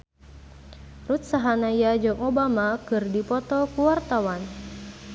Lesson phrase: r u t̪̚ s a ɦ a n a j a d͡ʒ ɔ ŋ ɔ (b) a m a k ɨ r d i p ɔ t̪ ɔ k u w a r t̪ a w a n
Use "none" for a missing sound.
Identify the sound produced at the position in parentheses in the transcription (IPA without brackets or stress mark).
b